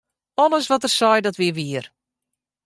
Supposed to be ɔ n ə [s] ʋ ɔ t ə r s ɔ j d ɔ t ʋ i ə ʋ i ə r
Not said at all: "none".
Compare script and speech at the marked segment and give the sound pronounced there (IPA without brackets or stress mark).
s